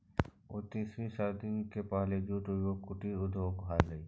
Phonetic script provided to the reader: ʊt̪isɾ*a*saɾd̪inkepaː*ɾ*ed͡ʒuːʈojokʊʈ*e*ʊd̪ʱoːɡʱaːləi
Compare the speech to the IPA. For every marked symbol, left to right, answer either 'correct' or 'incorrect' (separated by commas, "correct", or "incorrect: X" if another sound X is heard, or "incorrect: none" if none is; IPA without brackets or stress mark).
incorrect: i, incorrect: l, incorrect: i